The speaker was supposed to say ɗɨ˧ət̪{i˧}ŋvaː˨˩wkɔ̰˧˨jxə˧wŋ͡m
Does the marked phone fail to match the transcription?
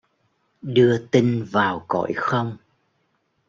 no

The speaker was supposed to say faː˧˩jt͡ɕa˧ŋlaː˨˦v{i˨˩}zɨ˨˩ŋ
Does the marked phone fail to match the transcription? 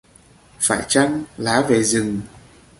yes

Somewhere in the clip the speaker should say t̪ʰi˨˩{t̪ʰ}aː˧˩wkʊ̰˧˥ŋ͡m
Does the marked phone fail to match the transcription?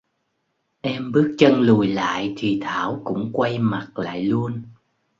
no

